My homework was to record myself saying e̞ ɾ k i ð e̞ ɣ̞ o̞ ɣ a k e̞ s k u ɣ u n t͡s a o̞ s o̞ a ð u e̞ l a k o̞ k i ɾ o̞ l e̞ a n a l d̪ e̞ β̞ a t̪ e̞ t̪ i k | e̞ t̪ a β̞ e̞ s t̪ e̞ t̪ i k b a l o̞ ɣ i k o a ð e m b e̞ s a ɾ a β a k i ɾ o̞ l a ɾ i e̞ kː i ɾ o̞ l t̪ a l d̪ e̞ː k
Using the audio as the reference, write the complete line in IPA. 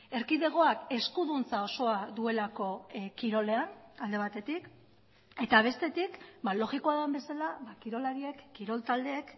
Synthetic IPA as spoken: e̞ ɾ k i ð e̞ ɣ̞ o̞ a k e̞ s k u ð u n t͡s a o̞ s o̞ a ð u e̞ l a k o̞ k i ɾ o̞ l e̞ a n a l d̪ e̞ β̞ a t̪ e̞ t̪ i k | e̞ t̪ a β̞ e̞ s t̪ e̞ t̪ i k b a l o̞ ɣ i k o a ð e m b e̞ s a l a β a k i ɾ o̞ l a ɾ i e̞ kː i ɾ o̞ l t̪ a l d̪ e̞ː k